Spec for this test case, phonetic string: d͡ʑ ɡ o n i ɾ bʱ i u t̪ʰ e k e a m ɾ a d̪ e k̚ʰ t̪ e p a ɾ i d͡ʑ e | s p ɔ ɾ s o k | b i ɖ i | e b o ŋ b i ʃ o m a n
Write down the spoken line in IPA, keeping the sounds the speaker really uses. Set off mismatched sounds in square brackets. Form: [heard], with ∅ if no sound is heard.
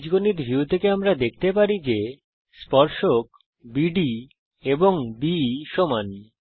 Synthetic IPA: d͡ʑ ɡ o n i ɾ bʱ i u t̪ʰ e k e a m ɾ a d̪ e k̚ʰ t̪ e p a ɾ i d͡ʑ e | s p ɔ ɾ [ʃ] o k | b i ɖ i | e b o ŋ b i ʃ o m a n